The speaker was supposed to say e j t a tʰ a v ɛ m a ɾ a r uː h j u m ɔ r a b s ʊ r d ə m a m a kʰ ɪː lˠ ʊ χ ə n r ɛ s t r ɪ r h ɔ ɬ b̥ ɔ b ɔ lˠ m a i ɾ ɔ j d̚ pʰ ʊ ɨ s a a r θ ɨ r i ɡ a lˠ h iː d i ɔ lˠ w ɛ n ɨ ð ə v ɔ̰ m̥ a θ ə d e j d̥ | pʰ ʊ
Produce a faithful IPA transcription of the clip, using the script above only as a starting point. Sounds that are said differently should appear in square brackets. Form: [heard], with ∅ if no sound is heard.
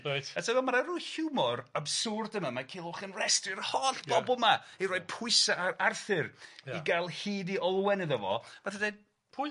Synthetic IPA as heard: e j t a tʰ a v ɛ m a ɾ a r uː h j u m ɔ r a b s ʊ r d ə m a m a kʰ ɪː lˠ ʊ χ ə n r ɛ s t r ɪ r h ɔ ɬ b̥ ɔ b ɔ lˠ m a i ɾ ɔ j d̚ pʰ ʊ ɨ s a a r θ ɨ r i ɡ a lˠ h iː d i ɔ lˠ w ɛ n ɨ ð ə v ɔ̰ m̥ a θ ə d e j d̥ | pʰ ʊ